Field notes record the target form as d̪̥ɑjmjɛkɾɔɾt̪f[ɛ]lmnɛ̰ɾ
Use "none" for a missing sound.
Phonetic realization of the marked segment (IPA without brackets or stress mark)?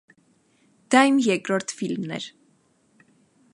i